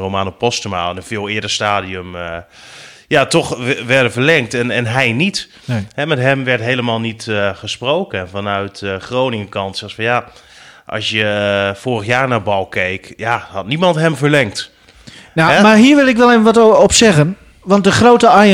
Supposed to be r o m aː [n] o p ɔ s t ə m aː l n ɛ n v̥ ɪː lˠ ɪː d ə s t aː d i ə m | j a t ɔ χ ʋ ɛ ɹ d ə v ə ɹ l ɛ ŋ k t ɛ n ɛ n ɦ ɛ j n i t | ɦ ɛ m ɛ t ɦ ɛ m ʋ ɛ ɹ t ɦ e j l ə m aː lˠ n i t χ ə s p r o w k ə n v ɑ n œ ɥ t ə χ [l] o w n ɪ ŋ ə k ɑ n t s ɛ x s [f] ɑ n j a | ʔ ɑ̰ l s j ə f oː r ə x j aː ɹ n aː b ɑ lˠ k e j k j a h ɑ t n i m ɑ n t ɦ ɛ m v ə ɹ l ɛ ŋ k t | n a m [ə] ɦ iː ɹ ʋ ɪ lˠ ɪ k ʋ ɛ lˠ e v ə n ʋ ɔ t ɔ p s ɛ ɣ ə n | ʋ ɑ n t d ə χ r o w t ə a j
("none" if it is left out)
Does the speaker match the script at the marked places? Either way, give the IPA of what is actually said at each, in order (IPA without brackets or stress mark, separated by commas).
n, r, f, a